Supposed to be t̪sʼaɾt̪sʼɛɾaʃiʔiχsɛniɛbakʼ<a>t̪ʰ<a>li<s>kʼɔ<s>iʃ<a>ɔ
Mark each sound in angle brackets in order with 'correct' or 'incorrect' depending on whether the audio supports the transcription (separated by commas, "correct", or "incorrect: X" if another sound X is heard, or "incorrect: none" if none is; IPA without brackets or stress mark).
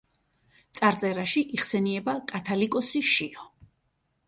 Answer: correct, correct, incorrect: none, correct, incorrect: i